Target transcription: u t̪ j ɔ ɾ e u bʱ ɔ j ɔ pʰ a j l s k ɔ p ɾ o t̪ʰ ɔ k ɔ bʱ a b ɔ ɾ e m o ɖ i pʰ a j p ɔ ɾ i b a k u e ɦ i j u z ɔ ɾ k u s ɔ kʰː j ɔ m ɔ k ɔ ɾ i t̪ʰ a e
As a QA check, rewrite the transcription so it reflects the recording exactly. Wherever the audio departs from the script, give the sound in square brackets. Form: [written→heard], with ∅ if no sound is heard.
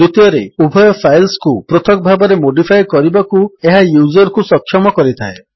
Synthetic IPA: u t̪ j ɔ ɾ e u bʱ ɔ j ɔ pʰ a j l s k [ɔ→u] p ɾ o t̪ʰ ɔ k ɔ bʱ a b ɔ ɾ e m o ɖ i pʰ a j [p→k] ɔ ɾ i b a k u e ɦ [i→a] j u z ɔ ɾ k u s ɔ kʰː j ɔ m ɔ k ɔ ɾ i t̪ʰ a e